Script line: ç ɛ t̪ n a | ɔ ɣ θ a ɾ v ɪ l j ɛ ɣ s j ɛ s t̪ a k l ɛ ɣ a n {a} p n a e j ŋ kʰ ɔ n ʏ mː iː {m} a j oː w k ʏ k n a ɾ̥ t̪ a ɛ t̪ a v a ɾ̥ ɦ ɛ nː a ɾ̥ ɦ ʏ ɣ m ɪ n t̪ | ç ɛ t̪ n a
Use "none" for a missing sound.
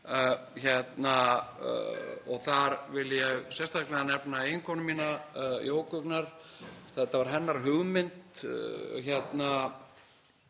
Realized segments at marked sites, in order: ɛ, n

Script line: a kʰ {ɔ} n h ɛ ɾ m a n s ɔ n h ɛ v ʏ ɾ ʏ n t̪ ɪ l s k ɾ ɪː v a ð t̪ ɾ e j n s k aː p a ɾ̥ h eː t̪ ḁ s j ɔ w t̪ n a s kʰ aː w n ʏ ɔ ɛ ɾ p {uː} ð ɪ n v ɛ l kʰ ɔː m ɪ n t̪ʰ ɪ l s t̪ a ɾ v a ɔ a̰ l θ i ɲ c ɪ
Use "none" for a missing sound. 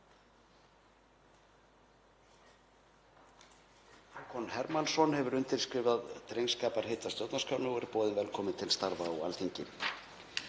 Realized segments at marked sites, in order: ɔ, ɔː

